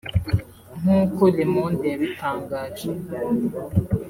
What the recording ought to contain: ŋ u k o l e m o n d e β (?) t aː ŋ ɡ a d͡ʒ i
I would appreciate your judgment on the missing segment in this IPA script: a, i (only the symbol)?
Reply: i